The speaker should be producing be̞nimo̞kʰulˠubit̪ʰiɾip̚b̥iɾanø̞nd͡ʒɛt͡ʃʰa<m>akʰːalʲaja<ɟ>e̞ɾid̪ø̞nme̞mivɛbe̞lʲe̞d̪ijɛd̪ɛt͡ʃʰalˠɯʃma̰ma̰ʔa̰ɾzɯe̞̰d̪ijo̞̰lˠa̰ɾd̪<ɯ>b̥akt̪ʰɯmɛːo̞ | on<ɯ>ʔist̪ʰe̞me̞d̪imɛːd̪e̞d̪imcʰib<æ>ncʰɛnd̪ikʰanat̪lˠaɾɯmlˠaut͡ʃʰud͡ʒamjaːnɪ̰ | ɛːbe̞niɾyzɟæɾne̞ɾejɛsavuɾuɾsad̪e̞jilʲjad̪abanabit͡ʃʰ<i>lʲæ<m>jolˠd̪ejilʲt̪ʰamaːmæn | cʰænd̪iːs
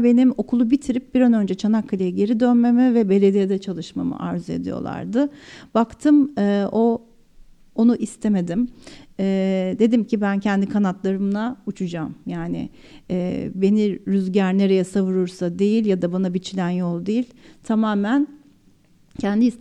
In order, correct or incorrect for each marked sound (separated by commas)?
incorrect, correct, correct, incorrect, correct, correct, incorrect